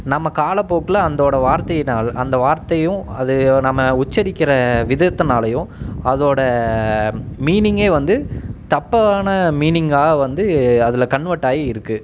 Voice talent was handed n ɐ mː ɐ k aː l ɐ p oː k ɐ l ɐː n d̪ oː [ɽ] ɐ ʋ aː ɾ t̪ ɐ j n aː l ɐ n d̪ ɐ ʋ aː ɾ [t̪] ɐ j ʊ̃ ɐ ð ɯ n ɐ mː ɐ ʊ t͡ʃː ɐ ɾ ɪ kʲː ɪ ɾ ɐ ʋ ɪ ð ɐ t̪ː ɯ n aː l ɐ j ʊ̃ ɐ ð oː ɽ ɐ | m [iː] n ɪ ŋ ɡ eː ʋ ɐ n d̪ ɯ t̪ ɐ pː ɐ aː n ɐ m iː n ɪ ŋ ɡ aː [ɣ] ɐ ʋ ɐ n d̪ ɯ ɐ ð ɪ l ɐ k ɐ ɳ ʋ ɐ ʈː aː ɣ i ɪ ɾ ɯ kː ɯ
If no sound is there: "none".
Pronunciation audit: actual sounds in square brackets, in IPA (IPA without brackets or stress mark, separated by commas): ɽ, t̪, iː, ɣ